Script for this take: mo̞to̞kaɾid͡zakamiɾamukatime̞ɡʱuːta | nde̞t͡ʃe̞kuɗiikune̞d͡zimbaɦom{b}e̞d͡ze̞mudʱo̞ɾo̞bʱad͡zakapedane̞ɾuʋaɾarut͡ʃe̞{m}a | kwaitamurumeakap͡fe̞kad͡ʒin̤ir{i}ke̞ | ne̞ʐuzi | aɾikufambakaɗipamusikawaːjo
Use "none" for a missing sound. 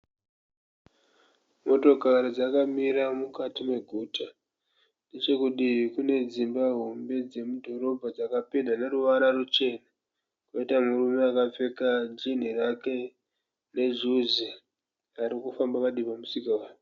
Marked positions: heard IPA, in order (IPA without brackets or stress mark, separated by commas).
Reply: b, n, a